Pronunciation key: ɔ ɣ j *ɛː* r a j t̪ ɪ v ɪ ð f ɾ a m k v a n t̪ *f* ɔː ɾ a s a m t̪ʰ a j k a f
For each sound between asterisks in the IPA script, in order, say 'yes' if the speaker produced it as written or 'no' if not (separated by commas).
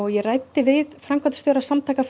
no, no